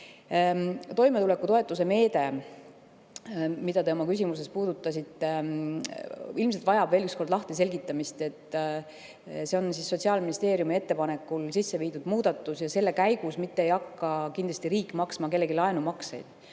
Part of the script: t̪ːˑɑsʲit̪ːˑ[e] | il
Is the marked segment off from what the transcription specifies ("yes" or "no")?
no